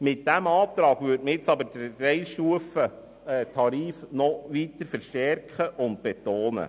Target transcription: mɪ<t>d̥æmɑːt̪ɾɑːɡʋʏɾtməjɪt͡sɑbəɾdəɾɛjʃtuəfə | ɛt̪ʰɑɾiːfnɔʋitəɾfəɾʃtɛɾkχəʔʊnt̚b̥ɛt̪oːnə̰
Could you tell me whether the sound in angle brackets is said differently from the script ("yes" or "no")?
no